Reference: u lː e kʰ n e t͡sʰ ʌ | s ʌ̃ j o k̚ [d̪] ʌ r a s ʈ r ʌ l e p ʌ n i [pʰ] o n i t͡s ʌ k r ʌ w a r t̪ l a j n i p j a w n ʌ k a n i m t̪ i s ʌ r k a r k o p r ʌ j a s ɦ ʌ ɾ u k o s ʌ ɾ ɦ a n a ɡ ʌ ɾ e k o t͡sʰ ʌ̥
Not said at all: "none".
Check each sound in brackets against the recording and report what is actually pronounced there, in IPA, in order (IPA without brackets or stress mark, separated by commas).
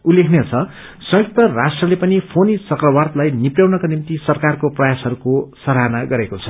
t̪, pʰ